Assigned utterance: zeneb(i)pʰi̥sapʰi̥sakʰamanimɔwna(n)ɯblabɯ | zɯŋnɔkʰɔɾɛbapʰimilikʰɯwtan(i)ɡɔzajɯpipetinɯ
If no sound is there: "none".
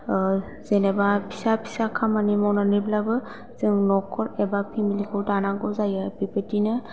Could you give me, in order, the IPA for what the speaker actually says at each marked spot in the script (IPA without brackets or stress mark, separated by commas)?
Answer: a, n, a